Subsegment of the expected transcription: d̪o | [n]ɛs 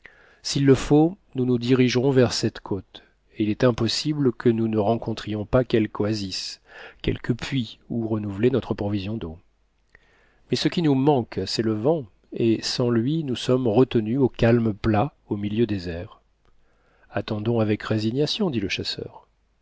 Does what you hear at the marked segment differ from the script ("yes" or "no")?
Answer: yes